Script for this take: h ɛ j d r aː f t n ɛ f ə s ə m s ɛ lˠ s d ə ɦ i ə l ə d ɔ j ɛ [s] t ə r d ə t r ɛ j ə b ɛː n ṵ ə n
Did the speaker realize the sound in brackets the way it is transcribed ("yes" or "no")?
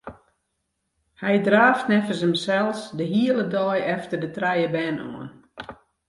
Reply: no